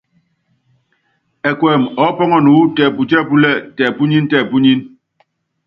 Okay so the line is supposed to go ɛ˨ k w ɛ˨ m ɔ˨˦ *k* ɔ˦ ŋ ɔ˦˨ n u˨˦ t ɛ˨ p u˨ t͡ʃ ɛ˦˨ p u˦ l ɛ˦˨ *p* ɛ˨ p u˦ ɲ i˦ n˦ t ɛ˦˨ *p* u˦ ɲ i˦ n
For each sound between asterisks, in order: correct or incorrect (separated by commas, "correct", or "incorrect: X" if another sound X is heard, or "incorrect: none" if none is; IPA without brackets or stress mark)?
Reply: incorrect: p, incorrect: t, correct